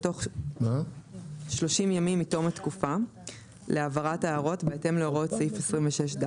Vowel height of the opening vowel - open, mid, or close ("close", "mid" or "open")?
mid